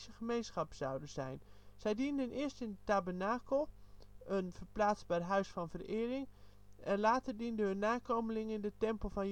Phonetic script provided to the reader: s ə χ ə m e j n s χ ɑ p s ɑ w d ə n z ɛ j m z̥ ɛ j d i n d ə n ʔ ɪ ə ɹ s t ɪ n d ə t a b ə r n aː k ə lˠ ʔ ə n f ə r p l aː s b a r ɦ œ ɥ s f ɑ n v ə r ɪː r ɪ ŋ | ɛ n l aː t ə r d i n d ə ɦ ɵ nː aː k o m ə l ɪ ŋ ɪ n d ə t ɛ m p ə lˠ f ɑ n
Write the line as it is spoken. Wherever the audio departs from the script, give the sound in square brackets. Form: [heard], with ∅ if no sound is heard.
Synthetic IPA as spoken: s ə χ ə m e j n s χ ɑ p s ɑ w d ə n z ɛ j [n] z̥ ɛ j d i n d ə n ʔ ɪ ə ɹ s t ɪ n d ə t a b ə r n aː k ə lˠ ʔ ə n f ə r p l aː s b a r ɦ œ ɥ s f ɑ n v ə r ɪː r ɪ ŋ | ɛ n l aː t ə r d i n d ə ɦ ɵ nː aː k o m ə l ɪ ŋ ɪ n d ə t ɛ m p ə lˠ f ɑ n